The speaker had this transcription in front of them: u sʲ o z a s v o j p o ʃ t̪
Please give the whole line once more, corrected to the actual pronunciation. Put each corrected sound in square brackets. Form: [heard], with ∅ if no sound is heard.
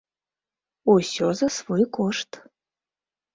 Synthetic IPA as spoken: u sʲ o z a s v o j [k] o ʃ t̪